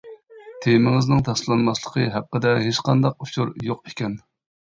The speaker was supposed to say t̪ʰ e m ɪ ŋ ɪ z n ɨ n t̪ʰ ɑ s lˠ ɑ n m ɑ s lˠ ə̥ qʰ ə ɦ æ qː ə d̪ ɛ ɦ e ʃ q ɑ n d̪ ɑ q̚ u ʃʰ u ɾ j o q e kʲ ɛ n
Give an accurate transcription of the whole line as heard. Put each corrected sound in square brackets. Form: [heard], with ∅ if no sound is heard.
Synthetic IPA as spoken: t̪ʰ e m ɪ ŋ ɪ z n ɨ [ŋ] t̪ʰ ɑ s lˠ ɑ n m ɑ s lˠ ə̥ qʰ ə ɦ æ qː ə d̪ ɛ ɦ e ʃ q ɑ n d̪ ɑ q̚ u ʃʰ u ɾ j o q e kʲ ɛ n